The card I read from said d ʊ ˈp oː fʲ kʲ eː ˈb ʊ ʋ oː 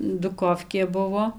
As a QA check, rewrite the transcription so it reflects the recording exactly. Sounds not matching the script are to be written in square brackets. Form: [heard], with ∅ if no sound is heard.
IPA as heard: d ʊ [ˈk] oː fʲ kʲ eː ˈb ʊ ʋ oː